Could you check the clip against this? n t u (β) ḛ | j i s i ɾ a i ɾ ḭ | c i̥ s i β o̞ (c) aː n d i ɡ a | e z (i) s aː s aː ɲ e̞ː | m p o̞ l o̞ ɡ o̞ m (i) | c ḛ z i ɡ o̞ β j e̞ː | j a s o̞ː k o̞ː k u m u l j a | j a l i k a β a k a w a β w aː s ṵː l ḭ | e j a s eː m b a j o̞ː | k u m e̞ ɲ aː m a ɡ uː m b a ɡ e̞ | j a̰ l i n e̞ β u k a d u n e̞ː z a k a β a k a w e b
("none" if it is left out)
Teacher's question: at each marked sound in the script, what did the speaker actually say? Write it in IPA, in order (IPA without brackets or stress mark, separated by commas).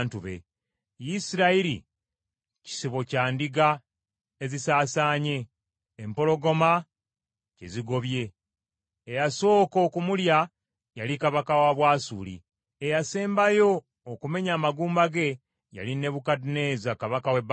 β, c, i, a